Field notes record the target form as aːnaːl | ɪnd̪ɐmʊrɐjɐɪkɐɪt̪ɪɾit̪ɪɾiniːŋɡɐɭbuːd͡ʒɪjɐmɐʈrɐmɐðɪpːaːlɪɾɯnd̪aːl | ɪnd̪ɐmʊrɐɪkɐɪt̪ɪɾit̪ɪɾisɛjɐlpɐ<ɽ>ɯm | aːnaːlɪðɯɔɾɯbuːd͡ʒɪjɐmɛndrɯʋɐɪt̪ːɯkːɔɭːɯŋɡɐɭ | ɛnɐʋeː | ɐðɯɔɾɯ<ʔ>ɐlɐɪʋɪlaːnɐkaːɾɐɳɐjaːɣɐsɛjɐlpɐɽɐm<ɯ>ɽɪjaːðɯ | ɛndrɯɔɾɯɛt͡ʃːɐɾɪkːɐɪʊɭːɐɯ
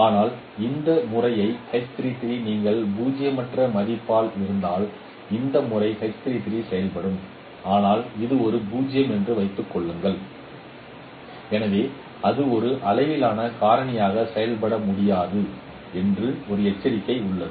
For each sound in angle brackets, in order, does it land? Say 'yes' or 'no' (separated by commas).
yes, yes, no